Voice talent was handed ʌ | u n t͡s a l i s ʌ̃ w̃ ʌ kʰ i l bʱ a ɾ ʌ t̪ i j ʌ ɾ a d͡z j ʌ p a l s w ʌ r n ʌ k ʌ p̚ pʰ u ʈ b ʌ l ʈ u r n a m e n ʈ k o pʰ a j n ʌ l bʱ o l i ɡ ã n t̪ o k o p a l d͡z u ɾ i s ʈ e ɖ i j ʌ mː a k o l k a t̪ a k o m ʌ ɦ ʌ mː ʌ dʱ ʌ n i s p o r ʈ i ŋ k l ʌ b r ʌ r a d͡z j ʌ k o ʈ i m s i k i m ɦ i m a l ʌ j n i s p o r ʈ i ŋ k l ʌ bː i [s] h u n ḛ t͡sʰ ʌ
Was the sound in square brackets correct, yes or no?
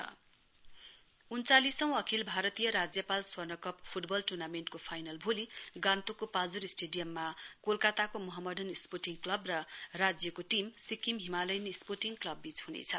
no